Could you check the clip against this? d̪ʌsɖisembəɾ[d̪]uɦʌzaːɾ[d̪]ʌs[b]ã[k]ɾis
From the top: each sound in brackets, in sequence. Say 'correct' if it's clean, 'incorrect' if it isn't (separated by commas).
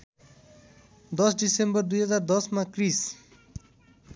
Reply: correct, correct, incorrect, correct